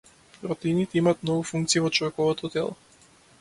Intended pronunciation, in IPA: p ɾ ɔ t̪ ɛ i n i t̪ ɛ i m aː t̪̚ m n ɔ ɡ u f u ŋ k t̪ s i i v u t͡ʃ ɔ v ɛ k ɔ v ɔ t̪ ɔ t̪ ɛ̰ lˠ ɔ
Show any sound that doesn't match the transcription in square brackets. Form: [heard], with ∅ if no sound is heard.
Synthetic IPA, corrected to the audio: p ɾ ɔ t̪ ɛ i n i t̪ ɛ i m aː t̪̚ m n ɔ ɡ u f u ŋ k t̪ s i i v [ɔ] t͡ʃ ɔ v ɛ k ɔ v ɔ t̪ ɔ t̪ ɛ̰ lˠ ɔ